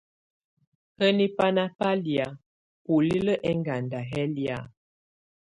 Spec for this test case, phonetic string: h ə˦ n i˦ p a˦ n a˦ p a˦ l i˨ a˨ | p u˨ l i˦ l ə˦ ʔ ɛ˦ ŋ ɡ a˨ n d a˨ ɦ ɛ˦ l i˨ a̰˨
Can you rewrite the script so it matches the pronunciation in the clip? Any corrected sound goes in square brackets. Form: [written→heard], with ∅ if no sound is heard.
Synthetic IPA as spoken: h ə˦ n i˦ p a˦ n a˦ p a˦ l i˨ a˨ | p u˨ l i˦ l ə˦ ʔ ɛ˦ ŋ ɡ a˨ n d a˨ ɦ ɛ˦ l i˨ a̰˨